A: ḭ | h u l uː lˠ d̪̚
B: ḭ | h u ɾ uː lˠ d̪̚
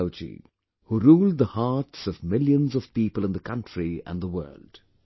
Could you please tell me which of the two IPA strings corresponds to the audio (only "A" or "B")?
B